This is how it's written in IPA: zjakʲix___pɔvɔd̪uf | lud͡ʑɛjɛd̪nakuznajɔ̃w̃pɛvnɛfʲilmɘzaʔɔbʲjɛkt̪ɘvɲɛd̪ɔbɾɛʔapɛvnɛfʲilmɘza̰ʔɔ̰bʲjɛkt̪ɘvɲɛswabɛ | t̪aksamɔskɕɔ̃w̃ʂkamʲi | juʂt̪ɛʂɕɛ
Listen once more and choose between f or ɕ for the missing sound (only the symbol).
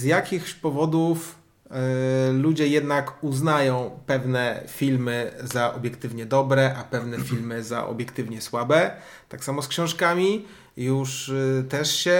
ɕ